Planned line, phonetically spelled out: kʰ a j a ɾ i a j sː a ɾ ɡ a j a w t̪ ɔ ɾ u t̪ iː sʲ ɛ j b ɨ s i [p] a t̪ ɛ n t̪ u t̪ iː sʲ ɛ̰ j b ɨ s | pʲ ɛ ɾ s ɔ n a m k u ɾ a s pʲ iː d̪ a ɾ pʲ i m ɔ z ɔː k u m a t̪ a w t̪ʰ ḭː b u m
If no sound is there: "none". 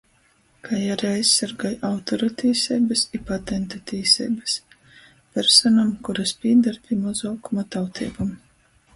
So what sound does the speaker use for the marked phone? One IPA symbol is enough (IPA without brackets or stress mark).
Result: p